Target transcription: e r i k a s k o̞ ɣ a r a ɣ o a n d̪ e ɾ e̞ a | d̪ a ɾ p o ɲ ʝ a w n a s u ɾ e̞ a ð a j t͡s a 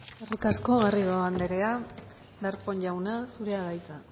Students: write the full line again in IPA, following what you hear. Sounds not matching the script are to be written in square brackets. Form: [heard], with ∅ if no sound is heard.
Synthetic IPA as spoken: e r i k a s k o̞ ɣ a r [i] ɣ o a n d̪ e ɾ e̞ a | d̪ a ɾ p o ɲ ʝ a w n a s u ɾ e̞ a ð a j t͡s a